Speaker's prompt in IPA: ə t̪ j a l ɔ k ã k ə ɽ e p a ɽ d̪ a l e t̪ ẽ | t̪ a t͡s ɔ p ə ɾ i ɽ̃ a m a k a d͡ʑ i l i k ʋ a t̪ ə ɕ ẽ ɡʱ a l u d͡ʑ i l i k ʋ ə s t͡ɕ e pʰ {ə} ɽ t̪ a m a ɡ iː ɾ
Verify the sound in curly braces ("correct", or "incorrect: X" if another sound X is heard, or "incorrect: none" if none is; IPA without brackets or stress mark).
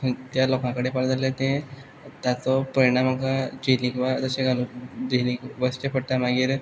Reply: correct